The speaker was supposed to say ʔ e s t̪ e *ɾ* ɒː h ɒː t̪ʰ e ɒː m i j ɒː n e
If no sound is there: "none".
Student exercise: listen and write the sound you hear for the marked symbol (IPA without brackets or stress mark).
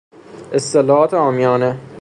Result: l